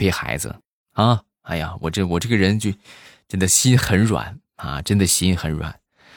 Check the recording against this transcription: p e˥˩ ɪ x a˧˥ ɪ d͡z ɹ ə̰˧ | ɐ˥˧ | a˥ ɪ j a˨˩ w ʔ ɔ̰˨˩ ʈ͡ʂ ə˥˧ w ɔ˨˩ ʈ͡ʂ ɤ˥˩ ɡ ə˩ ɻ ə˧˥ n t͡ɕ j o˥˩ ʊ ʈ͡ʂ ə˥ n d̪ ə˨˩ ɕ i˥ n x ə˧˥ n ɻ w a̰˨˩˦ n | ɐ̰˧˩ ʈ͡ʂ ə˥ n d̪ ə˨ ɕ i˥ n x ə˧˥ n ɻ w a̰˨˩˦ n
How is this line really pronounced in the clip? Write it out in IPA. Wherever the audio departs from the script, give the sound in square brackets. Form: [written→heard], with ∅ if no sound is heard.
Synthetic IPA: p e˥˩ ɪ x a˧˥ ɪ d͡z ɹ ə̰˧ | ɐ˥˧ | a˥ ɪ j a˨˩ w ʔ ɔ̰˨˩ ʈ͡ʂ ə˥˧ w ɔ˨˩ ʈ͡ʂ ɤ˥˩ ɡ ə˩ ɻ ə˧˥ n t͡ɕ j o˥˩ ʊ ʈ͡ʂ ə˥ n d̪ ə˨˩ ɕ i˥ n x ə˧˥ n ɻ w a̰˨˩˦ n | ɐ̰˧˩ ʈ͡ʂ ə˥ n d̪ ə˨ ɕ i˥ n x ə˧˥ n ɻ w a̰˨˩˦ n